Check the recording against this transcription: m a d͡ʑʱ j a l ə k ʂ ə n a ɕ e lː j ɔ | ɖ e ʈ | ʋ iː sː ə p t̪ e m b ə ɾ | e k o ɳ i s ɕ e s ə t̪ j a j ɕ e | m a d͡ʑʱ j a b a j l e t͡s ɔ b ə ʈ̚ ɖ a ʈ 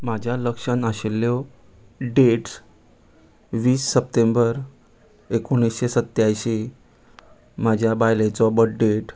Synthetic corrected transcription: m a d͡ʑʱ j a l ə k ʂ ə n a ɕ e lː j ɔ | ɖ e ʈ | ʋ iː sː ə p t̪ e m b ə ɾ | e k o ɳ i s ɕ e s ə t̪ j a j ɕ e | m a d͡ʑʱ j a b a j l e t͡s ɔ b ə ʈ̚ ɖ e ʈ